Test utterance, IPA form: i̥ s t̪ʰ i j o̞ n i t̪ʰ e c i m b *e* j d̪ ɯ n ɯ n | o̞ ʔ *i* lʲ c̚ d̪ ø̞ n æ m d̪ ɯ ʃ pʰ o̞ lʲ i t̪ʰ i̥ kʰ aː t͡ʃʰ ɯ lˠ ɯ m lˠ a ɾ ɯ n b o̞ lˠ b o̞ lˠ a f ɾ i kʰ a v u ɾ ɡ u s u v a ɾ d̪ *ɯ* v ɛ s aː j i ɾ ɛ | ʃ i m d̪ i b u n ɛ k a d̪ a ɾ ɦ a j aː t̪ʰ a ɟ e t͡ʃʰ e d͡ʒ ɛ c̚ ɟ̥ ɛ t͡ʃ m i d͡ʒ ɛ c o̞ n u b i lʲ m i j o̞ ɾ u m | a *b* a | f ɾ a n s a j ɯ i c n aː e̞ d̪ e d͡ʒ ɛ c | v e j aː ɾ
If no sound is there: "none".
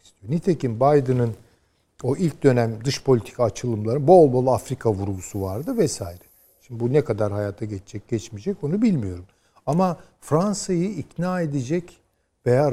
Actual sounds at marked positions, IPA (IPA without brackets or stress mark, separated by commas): a, i, ɯ, m